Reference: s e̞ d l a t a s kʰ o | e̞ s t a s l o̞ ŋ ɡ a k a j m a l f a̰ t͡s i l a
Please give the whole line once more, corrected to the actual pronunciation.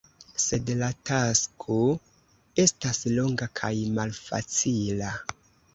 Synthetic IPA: s e̞ d l a t a s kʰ o | e̞ s t a s l o̞ ŋ ɡ a kʰ a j m a l f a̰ t͡s i l a